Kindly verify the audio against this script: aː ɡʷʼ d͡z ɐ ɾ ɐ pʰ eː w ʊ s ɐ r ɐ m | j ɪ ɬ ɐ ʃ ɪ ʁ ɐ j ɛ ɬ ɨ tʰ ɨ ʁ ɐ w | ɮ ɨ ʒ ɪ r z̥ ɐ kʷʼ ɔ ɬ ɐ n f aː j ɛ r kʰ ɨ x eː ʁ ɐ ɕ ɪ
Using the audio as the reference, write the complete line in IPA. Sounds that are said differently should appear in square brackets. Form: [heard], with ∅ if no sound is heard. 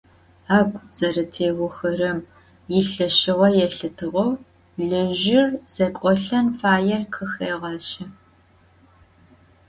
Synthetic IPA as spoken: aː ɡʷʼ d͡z ɐ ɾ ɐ [tʰ] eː w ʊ [x] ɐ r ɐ m | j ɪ ɬ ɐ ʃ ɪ ʁ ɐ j ɛ ɬ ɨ tʰ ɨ ʁ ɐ w | ɮ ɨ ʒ ɪ r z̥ ɐ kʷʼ ɔ ɬ ɐ n f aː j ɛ r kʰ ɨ x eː ʁ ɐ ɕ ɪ